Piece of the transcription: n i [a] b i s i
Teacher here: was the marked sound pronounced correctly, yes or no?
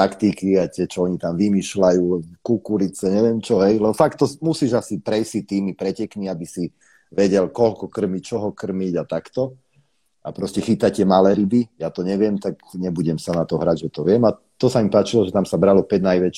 yes